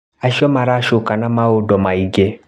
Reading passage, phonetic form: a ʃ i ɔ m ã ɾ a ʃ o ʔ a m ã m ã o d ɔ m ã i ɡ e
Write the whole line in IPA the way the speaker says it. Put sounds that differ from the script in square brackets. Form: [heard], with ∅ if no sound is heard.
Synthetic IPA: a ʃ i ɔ m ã ɾ a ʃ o [k] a [n] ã m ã o d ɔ m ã i ɡ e